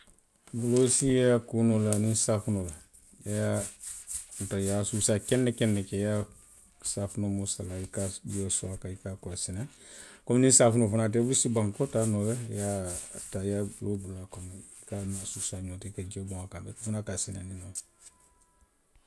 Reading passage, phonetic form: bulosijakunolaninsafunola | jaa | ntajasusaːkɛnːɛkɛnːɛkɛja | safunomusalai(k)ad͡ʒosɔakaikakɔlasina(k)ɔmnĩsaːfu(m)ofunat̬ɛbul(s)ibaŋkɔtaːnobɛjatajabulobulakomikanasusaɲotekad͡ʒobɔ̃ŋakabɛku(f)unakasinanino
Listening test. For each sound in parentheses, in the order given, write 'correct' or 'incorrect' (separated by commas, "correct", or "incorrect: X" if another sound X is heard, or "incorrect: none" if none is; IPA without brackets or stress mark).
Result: correct, correct, incorrect: n, correct, correct